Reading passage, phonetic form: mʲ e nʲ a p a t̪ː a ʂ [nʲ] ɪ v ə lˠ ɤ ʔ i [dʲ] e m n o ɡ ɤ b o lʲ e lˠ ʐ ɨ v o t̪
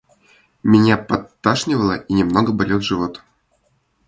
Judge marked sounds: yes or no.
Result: yes, no

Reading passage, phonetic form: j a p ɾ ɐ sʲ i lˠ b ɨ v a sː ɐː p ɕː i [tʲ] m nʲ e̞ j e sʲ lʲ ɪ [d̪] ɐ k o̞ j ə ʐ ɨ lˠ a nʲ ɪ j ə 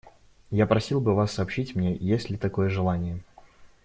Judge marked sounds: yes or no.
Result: yes, no

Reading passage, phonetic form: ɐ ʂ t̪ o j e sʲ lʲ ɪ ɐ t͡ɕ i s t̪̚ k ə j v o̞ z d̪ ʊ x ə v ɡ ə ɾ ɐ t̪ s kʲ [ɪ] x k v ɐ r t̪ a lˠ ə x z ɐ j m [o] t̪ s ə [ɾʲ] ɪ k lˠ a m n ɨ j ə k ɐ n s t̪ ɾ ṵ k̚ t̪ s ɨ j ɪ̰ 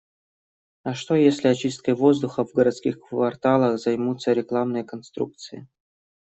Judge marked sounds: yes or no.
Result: no, no, yes

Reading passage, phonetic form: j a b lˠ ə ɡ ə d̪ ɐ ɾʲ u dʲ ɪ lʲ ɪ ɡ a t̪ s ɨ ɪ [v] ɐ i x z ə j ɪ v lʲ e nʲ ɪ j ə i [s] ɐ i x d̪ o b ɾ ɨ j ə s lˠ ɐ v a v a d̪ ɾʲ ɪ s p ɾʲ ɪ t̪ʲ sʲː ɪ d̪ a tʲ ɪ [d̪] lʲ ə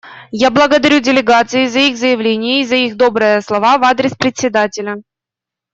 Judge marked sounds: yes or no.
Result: no, no, no

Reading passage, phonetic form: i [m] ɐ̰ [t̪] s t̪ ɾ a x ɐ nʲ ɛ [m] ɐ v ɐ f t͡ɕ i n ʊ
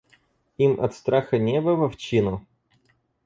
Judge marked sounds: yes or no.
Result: yes, yes, no

